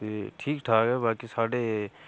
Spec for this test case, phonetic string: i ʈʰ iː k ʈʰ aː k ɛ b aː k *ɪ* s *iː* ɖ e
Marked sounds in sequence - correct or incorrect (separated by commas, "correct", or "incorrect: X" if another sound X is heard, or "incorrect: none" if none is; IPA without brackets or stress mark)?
incorrect: i, incorrect: aː